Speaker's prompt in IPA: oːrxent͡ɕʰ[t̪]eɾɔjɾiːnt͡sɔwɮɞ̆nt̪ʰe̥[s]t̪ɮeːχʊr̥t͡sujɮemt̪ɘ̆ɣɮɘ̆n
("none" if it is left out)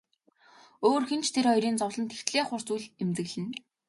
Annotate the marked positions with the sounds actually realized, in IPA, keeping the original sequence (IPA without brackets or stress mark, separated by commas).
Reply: t̪ʰ, x